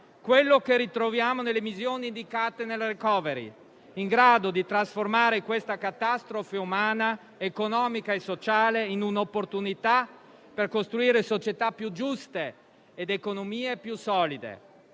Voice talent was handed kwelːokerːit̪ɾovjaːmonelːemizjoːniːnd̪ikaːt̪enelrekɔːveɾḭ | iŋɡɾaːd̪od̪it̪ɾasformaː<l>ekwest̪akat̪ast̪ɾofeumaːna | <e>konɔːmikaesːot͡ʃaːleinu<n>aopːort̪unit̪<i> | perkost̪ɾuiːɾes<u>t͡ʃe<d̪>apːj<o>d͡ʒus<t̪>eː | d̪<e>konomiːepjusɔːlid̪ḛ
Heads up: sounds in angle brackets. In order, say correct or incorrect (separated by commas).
incorrect, correct, correct, incorrect, incorrect, incorrect, incorrect, correct, correct